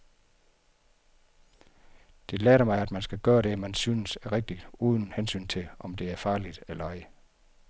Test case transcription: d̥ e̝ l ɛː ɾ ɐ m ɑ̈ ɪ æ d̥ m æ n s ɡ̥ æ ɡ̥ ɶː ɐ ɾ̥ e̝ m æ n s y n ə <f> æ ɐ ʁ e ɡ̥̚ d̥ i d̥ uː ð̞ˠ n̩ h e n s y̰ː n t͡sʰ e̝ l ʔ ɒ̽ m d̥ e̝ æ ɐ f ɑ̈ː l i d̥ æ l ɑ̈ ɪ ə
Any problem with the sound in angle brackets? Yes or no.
yes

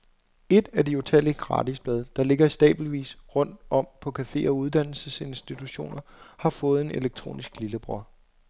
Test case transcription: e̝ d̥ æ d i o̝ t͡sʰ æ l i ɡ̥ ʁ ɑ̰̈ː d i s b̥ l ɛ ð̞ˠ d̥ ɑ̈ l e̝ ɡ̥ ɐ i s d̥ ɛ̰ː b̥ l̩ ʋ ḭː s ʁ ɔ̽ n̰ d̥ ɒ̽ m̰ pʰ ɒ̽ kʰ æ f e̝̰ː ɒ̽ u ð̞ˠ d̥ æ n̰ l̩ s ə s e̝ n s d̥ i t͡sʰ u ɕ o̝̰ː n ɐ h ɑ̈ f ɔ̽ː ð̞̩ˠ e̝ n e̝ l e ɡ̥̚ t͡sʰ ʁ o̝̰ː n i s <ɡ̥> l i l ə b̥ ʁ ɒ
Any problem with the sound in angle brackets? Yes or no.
no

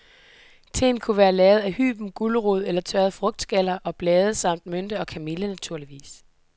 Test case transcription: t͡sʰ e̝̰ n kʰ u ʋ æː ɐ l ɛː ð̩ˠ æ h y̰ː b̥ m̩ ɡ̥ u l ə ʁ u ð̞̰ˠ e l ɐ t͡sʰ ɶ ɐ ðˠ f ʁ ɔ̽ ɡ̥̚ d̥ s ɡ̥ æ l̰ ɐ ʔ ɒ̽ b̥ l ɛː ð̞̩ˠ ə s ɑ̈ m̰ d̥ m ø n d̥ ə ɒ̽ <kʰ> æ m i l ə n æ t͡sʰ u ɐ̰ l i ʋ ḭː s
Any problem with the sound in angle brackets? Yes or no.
no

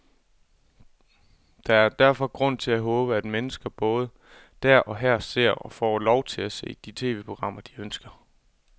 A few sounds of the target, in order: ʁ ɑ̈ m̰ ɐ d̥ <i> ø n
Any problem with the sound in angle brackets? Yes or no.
no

